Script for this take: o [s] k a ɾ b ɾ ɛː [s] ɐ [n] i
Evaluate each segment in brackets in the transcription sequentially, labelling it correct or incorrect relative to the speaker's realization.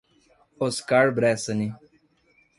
correct, correct, correct

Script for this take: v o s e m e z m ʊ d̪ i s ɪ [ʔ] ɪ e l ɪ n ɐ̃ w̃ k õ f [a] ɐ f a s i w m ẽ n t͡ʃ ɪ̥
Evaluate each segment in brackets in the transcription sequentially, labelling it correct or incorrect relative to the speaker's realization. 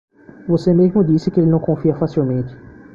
incorrect, incorrect

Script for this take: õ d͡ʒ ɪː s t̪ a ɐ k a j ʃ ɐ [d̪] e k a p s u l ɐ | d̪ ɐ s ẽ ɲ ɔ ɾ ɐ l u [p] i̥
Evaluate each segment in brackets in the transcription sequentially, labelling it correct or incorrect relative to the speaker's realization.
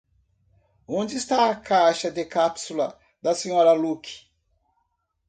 correct, incorrect

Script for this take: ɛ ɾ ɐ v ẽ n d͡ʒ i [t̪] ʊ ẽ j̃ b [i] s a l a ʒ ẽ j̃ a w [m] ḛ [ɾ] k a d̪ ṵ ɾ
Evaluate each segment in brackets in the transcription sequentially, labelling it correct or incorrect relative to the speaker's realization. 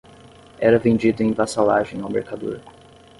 incorrect, incorrect, correct, correct

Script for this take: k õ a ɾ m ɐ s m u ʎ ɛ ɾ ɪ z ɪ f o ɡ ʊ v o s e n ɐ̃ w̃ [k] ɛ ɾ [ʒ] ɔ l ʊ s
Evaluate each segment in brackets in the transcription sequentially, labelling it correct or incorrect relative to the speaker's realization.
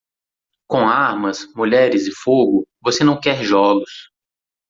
correct, correct

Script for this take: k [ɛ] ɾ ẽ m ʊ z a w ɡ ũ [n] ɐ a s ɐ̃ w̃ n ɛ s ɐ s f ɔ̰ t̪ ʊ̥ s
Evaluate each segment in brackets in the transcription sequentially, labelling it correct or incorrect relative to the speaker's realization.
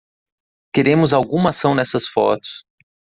incorrect, incorrect

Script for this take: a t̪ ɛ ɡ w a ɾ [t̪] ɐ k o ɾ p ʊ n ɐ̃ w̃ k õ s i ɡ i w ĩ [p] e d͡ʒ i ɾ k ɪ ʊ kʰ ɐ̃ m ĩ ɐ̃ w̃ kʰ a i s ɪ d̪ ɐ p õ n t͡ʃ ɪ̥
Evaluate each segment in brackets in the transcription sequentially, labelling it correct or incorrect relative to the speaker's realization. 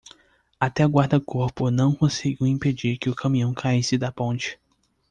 incorrect, correct

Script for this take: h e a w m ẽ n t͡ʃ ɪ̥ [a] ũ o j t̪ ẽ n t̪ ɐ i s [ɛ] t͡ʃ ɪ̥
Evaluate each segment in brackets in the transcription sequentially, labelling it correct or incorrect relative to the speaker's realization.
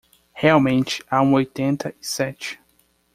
correct, correct

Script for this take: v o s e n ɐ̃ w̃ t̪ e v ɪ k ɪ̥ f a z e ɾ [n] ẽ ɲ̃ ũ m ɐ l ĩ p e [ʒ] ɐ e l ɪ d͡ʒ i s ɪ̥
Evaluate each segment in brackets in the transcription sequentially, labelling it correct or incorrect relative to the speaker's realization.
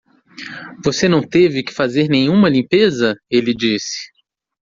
correct, incorrect

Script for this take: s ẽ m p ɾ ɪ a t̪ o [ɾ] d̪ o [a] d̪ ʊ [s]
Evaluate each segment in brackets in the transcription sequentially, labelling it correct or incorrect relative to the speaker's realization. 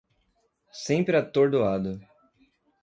correct, correct, incorrect

